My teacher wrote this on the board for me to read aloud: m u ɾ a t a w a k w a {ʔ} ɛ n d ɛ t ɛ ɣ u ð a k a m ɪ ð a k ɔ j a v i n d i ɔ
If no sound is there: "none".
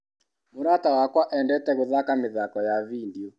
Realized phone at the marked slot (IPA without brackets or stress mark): ʔ